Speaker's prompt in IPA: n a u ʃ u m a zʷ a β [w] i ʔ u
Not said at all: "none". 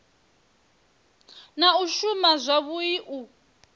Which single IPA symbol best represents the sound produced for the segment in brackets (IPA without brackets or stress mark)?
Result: u